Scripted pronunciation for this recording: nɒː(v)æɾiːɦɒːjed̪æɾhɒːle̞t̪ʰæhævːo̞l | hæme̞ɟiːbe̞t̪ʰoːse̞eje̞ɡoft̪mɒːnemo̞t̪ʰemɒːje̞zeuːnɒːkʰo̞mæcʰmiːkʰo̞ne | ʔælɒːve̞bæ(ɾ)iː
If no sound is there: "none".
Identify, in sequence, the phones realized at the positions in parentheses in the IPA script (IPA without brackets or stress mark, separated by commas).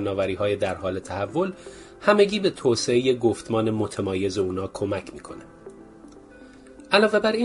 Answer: v, ɾ